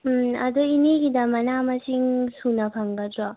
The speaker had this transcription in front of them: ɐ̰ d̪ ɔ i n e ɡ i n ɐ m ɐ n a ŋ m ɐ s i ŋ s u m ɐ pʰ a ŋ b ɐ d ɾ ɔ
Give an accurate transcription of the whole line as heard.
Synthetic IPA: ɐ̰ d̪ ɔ i n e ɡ i d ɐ m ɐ n a m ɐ s i ŋ s u n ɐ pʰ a ŋ ɡ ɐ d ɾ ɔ